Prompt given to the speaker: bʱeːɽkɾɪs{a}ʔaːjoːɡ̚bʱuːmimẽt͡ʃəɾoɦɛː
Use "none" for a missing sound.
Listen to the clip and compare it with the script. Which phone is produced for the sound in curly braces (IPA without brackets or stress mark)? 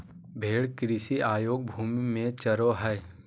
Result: i